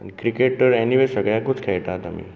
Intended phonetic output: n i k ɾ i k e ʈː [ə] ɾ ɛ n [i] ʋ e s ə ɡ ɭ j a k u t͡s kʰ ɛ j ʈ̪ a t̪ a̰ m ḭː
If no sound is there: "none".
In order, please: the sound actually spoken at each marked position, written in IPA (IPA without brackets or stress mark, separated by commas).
ə, i